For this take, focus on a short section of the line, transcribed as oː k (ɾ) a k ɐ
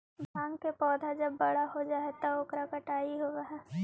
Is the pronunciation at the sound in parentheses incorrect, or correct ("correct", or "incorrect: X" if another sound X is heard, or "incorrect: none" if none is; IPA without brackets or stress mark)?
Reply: correct